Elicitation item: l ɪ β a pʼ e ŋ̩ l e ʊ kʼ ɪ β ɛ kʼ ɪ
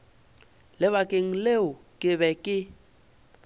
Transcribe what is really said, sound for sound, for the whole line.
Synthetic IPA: l ɪ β a kʼ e ŋ̩ l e ʊ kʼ ɪ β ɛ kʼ ɪ